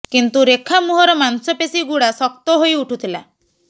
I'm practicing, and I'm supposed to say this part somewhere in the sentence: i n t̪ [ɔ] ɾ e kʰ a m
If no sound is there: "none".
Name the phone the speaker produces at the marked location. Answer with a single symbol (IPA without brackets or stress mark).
u